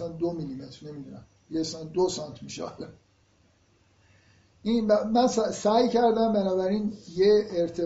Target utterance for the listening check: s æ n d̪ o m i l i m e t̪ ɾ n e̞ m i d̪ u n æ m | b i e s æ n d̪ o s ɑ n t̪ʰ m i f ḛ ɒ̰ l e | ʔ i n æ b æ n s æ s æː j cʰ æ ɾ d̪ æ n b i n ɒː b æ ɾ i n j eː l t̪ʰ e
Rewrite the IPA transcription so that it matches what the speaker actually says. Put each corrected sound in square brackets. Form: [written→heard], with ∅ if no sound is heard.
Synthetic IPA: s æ n d̪ o m i l i m e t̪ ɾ n e̞ m i d̪ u n æ m | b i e s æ n d̪ o s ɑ n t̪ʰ m i [f→ʃ] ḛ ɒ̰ l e | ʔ i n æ [b→m] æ n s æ s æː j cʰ æ ɾ d̪ æ [n→m] b [i→æ] n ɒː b æ ɾ i n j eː [l→ɾ] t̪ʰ e